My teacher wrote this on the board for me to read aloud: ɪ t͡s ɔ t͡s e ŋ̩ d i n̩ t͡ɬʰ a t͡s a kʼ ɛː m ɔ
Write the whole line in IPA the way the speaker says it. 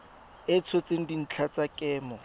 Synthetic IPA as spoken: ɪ t͡sʰ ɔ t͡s e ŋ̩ d i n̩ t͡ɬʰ a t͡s a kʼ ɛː m ɔ